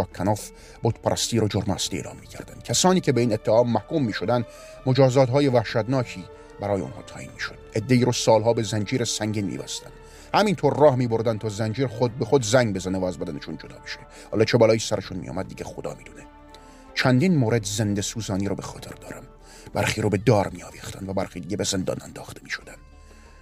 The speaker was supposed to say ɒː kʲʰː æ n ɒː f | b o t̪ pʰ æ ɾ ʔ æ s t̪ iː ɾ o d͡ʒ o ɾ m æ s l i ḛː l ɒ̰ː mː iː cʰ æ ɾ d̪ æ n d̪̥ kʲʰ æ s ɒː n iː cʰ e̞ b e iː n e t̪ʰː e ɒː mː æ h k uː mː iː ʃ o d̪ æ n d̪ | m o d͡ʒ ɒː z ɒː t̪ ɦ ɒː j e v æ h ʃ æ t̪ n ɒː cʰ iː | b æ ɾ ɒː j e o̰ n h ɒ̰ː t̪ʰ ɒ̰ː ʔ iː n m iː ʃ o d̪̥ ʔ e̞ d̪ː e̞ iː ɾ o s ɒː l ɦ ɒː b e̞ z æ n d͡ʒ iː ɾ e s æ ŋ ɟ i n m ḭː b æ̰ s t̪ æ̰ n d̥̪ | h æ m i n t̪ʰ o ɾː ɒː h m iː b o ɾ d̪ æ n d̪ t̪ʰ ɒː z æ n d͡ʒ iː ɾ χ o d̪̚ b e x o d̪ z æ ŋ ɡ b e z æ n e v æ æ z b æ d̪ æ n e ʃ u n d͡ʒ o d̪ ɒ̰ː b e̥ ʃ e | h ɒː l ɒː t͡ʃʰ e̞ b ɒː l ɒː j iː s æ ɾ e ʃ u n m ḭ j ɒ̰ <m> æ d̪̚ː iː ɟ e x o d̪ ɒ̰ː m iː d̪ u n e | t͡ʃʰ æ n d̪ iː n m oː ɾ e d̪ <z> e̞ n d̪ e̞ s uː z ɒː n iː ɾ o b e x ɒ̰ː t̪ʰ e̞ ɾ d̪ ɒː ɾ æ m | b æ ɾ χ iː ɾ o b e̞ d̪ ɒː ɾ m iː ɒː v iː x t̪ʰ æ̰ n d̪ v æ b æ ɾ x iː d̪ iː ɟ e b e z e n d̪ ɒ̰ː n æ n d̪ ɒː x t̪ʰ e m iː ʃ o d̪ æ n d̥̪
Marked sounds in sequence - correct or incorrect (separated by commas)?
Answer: correct, correct